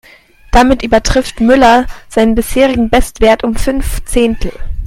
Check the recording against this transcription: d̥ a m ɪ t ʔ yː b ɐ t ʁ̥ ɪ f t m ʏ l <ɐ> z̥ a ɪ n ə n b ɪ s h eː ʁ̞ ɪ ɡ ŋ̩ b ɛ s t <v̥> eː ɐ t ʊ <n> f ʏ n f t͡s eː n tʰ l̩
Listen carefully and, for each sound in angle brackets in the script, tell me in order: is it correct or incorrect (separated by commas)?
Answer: correct, correct, incorrect